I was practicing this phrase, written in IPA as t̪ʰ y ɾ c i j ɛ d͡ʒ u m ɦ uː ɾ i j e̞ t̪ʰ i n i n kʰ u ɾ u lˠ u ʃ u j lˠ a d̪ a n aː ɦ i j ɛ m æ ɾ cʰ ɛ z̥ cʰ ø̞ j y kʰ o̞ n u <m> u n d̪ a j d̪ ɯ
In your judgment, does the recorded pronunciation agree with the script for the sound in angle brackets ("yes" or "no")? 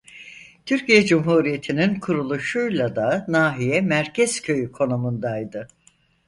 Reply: yes